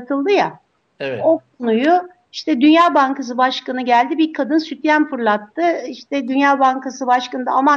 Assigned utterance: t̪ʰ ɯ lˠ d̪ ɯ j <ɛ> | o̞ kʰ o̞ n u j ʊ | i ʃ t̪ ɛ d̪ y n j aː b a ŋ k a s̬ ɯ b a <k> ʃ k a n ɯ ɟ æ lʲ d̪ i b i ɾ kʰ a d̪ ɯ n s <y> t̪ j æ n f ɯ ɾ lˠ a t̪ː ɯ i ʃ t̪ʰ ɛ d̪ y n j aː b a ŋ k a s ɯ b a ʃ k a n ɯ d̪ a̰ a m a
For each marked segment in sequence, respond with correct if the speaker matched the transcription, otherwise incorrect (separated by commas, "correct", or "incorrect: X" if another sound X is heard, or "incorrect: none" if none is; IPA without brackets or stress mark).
incorrect: a, incorrect: none, correct